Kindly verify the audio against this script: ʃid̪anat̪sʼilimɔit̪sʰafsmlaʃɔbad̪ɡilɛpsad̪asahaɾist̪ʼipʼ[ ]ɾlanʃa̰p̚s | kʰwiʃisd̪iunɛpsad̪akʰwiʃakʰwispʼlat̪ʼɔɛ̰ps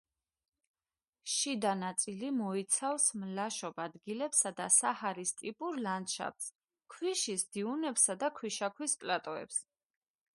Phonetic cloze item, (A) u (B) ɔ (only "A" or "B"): A